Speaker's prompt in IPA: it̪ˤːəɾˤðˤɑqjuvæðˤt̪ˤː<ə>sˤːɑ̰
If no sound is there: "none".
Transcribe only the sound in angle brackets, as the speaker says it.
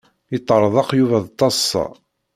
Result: ɑ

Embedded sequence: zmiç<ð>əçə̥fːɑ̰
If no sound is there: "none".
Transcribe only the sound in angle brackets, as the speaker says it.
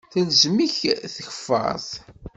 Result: θ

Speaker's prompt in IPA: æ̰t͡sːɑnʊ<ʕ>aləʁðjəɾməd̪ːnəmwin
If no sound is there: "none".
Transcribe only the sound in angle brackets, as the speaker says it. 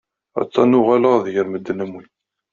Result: ʁ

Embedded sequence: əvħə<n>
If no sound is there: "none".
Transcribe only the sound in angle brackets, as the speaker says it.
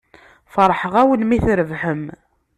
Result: m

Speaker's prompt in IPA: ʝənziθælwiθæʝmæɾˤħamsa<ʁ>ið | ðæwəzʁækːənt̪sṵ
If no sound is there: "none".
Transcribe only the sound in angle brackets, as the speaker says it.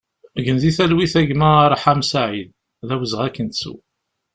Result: ʕ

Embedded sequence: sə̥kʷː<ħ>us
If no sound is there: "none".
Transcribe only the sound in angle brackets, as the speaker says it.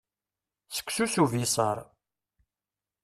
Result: s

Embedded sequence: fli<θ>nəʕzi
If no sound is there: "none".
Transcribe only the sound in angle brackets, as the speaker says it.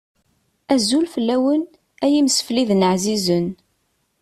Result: ð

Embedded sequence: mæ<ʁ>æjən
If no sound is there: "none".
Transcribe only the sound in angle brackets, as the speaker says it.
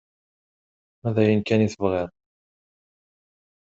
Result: ð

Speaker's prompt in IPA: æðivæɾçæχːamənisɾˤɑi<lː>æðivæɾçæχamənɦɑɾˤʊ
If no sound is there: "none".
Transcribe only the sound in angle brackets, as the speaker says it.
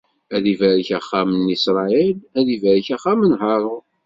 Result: l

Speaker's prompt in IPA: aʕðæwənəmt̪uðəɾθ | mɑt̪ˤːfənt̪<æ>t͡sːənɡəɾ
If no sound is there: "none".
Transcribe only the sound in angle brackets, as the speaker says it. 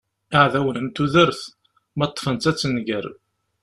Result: æ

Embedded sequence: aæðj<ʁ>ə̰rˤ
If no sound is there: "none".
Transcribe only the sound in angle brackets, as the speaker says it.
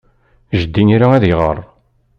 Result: ʁ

